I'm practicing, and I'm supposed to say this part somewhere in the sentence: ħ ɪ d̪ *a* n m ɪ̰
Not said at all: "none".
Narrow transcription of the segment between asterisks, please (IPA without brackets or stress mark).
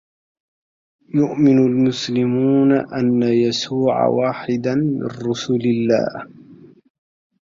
a